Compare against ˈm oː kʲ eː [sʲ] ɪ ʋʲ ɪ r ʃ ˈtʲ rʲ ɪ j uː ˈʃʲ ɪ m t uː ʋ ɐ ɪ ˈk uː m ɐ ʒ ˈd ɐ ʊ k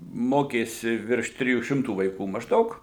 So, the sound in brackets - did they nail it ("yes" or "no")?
yes